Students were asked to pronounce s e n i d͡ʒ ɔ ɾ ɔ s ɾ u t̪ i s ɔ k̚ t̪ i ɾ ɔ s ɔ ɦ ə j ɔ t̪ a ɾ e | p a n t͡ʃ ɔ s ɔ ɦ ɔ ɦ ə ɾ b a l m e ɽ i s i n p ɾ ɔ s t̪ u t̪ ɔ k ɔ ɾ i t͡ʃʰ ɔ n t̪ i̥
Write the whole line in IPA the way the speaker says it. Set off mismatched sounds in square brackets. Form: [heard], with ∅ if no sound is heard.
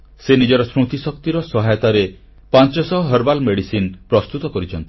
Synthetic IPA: s e n i d͡ʒ ɔ ɾ ɔ s ɾ u t̪ i s ɔ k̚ t̪ i ɾ ɔ s ɔ ɦ [a] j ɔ t̪ a ɾ e | p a n t͡ʃ ɔ s ɔ ɦ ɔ ɦ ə ɾ b a l m e ɽ i s i n p ɾ ɔ s t̪ u t̪ ɔ k ɔ ɾ i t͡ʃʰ ɔ n t̪ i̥